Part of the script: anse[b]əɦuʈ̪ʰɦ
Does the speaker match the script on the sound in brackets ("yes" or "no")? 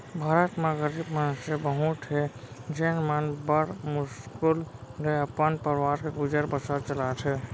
yes